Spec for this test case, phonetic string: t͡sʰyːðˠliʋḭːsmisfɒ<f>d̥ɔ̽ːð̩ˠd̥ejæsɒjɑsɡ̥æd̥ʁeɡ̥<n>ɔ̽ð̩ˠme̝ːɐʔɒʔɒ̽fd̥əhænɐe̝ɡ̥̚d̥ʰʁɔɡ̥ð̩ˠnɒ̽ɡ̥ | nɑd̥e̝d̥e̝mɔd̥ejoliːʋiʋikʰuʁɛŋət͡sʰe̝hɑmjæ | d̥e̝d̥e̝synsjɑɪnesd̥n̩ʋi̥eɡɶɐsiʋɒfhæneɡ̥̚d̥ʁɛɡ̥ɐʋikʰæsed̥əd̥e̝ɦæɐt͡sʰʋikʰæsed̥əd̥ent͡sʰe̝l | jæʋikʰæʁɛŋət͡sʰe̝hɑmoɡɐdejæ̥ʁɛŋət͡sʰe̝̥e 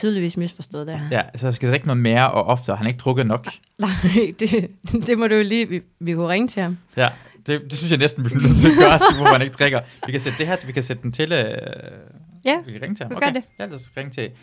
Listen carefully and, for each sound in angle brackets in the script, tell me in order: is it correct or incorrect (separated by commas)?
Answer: incorrect, correct